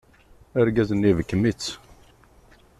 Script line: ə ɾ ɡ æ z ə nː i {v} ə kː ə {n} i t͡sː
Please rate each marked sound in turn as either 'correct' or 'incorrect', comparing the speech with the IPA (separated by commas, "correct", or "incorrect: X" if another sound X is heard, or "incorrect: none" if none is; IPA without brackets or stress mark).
correct, incorrect: m